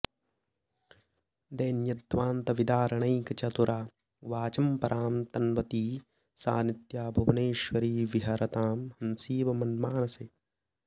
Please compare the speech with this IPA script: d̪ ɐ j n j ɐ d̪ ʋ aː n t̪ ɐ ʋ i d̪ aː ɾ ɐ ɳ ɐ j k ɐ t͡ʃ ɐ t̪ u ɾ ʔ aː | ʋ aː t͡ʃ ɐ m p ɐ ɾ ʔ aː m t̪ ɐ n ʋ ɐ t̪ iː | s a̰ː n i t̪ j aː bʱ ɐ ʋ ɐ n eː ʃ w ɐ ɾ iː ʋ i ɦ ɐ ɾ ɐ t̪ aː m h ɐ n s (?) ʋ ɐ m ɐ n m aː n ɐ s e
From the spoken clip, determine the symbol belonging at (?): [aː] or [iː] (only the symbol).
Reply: iː